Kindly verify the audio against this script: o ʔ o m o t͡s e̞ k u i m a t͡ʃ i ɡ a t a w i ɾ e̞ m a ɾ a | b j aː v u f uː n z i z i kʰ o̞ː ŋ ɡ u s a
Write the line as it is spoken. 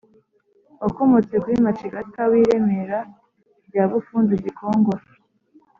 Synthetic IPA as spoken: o k o m o t͡s e̞ k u i m a t͡ʃ i ɡ a t a w i ɾ e̞ m e ɾ a | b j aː β u f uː n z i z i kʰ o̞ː ŋ ɡ o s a